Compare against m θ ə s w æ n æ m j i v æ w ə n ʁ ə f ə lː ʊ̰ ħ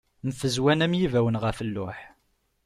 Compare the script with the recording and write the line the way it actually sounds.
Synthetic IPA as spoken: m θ ə z w æ n æ m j i v æ w ə n ʁ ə f ə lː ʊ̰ ħ